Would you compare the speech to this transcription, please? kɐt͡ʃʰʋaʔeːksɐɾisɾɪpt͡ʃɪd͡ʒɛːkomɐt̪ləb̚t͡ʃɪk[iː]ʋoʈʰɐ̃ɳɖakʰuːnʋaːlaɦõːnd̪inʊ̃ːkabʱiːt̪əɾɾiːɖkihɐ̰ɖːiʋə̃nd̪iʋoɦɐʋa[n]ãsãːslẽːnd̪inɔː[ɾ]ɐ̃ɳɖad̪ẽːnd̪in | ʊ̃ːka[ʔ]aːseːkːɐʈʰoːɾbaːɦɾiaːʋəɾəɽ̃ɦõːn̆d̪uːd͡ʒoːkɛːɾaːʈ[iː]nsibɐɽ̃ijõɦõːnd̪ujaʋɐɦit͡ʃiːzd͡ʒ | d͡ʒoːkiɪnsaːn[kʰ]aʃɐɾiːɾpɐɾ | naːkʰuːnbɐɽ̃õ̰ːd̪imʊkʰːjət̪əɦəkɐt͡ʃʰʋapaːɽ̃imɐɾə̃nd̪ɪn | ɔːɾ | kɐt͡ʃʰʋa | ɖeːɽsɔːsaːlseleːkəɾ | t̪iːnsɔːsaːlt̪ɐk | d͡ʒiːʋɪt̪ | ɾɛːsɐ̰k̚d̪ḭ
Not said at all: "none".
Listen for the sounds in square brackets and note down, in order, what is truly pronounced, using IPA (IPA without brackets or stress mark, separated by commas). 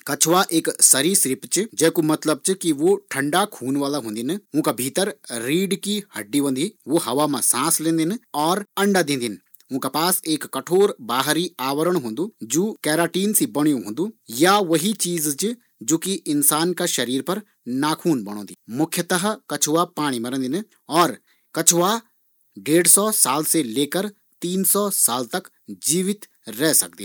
i, m, ɾ, p, iː, k